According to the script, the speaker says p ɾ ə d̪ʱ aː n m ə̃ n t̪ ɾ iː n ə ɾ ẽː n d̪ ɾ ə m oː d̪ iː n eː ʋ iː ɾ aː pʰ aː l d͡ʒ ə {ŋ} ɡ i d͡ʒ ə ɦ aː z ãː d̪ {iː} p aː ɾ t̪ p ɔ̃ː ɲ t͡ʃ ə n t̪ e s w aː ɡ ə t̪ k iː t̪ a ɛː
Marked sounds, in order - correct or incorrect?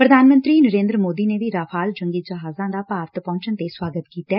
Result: correct, incorrect

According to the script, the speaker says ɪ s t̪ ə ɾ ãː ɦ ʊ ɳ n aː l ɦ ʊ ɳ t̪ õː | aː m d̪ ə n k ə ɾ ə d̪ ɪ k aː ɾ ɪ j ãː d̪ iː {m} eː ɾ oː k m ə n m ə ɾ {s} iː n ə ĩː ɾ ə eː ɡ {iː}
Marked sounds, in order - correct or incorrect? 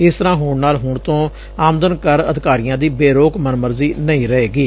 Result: incorrect, incorrect, correct

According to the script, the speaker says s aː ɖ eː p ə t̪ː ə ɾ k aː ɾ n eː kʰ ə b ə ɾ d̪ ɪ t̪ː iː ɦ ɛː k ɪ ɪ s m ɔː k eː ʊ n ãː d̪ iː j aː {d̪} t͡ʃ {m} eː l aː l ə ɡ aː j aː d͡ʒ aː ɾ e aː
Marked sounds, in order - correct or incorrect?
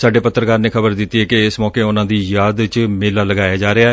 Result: correct, correct

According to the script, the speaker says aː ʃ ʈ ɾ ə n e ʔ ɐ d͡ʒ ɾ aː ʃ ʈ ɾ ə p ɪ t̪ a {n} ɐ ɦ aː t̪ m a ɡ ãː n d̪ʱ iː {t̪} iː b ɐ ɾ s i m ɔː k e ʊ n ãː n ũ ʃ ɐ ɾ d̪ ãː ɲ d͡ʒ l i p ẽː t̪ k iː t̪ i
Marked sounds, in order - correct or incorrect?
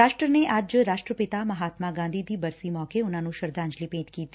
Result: incorrect, incorrect

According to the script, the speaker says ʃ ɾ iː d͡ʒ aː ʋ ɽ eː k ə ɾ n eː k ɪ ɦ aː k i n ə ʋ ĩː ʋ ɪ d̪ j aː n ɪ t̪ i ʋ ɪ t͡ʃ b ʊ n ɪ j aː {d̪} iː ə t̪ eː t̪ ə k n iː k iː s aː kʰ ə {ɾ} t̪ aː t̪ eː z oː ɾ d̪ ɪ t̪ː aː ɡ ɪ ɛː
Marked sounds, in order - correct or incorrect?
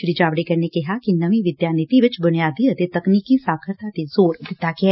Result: correct, correct

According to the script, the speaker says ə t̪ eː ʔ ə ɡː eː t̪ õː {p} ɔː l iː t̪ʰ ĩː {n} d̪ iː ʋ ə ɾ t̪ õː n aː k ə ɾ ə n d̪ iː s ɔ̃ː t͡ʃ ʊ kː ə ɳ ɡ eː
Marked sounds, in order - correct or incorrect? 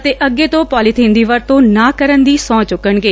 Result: correct, correct

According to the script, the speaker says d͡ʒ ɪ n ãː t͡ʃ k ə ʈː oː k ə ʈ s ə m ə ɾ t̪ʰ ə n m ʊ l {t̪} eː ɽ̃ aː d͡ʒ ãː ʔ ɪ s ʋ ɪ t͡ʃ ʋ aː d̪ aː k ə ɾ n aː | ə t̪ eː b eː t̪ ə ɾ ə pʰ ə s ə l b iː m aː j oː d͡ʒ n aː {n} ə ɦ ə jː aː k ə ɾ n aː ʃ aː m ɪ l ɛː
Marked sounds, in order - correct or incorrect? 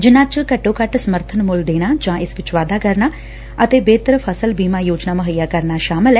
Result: incorrect, incorrect

